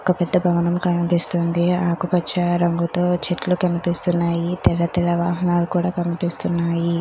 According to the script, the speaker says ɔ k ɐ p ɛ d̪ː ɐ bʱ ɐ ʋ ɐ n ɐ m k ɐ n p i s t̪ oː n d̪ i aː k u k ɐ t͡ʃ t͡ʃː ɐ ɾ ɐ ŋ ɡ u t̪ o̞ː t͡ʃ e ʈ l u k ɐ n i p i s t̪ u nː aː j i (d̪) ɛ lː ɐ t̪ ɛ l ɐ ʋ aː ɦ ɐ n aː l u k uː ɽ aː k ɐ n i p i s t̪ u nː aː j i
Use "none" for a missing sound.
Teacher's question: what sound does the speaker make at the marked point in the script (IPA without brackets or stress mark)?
t̪